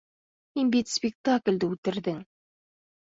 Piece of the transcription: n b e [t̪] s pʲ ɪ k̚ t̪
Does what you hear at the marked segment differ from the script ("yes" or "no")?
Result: no